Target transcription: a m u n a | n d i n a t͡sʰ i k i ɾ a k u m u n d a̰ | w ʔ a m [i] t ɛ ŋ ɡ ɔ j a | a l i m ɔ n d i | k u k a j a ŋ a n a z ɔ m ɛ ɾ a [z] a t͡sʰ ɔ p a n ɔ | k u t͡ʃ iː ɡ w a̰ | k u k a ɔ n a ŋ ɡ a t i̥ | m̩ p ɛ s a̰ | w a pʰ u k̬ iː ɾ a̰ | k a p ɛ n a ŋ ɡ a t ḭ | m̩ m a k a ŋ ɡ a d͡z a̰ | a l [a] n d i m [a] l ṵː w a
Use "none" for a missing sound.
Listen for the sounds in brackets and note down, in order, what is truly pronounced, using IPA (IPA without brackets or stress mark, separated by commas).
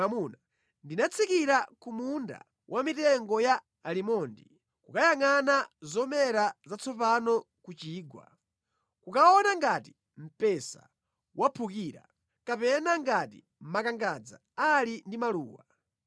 i, z, i, a